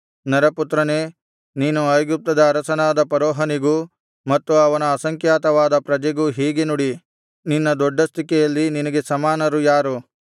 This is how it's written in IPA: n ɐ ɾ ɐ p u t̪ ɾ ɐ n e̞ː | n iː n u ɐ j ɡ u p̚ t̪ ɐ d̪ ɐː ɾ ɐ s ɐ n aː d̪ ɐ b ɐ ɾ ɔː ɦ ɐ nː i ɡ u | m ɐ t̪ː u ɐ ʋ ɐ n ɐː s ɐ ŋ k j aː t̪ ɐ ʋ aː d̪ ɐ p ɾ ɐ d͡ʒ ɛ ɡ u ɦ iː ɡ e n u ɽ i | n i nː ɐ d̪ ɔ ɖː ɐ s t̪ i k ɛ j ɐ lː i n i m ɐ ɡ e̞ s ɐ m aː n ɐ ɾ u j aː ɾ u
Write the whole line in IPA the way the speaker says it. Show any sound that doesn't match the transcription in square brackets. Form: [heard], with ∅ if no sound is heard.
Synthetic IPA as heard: n ɐ ɾ ɐ p u t̪ ɾ ɐ n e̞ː | n iː n u ɐ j ɡ u p̚ t̪ ɐ d̪ ɐː ɾ ɐ s ɐ n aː d̪ ɐ [p] ɐ ɾ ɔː ɦ ɐ [n] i ɡ u | m ɐ t̪ː u ɐ ʋ ɐ n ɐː s ɐ ŋ k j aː t̪ ɐ ʋ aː d̪ ɐ p ɾ ɐ d͡ʒ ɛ ɡ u ɦ iː ɡ e n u ɽ i | n i nː ɐ d̪ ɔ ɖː ɐ s t̪ i k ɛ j ɐ lː i n i [n] ɐ ɡ e̞ s ɐ m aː n ɐ ɾ u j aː ɾ u